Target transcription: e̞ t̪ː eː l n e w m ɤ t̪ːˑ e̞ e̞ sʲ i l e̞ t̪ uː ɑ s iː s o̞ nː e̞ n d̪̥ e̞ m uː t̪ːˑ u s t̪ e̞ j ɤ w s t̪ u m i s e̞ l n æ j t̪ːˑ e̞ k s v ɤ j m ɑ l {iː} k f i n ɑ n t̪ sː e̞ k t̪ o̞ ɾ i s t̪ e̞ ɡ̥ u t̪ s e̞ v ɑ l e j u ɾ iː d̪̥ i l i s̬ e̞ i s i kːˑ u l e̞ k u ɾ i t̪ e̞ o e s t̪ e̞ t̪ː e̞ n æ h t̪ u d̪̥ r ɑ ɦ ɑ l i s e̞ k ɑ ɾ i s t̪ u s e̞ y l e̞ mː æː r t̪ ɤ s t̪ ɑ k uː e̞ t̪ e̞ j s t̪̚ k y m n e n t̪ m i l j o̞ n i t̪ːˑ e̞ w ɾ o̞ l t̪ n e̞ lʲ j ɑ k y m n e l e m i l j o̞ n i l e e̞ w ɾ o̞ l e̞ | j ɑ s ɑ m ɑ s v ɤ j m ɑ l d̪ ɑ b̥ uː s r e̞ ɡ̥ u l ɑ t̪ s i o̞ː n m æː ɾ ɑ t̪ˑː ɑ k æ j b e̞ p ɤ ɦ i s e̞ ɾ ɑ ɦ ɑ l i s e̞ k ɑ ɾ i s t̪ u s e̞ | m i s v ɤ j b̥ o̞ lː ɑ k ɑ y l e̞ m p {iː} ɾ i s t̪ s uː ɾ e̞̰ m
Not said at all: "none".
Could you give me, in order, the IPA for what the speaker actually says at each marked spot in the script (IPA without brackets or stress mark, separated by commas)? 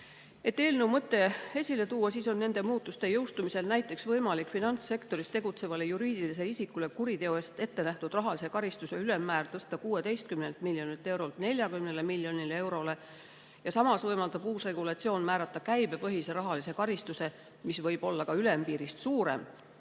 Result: i, iː